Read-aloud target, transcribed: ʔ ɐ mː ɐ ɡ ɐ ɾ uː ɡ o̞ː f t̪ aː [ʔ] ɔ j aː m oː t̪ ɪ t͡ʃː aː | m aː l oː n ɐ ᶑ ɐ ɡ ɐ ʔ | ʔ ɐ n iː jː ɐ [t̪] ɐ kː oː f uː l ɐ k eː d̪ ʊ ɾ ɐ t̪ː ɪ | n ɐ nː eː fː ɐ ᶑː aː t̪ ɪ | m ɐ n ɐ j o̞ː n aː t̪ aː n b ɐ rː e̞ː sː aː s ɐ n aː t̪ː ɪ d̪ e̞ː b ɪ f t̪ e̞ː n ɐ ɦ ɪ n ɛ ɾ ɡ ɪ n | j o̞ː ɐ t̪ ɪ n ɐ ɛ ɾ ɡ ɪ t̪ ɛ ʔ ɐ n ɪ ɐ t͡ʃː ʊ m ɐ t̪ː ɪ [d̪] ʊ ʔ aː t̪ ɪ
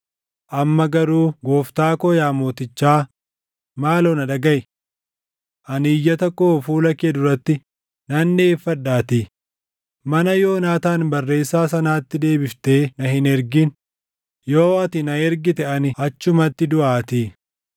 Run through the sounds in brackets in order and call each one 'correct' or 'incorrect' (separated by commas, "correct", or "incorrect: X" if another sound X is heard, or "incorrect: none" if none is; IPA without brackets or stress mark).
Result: incorrect: k, correct, correct